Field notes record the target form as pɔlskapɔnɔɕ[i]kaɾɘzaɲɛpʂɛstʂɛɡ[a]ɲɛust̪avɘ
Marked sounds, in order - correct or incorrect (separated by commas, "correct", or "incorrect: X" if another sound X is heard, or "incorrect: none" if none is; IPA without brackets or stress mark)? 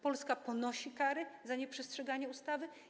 correct, correct